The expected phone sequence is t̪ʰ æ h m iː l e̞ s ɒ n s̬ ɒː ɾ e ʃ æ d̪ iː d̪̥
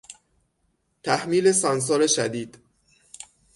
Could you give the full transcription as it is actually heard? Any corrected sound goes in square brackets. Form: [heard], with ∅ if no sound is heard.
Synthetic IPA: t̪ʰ æ h m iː l e̞ s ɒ n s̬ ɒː ɾ e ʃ æ d̪ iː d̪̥